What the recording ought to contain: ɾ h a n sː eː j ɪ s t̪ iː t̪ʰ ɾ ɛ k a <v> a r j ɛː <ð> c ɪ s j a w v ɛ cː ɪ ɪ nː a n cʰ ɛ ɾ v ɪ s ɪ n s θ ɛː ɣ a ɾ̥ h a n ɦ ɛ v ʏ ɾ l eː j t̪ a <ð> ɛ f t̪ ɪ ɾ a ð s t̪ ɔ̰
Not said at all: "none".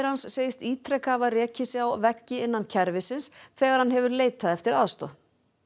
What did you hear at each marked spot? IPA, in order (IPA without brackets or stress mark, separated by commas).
v, none, ð